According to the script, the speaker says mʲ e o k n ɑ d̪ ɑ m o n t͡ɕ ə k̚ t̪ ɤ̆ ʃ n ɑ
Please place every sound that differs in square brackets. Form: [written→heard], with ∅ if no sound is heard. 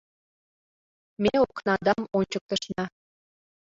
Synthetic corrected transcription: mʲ e o k n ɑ d̪ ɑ m o n t͡ɕ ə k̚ t̪ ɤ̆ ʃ n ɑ